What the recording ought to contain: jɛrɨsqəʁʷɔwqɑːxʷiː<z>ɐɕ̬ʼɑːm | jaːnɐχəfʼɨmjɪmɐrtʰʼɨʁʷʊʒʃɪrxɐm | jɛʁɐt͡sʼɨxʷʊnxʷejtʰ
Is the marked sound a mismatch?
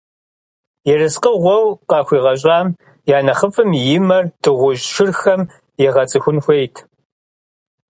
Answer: yes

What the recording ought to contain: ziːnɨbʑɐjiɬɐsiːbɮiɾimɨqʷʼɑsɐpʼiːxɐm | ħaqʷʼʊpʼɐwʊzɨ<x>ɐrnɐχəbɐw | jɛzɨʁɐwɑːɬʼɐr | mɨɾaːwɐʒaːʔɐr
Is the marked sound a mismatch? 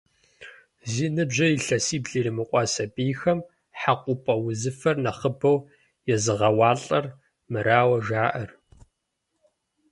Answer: yes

